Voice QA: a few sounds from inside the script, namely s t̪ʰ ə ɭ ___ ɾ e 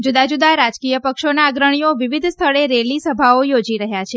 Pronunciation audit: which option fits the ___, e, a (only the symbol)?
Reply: e